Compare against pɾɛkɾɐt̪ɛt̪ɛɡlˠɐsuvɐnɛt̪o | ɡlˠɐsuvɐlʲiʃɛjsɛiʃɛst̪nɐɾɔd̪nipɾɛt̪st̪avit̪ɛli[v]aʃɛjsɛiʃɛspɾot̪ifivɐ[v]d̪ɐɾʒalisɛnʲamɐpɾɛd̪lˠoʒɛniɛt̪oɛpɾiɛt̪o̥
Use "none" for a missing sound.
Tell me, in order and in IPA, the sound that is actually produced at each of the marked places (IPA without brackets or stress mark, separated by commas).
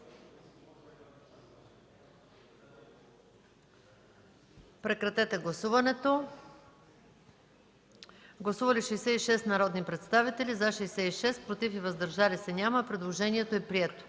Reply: z, z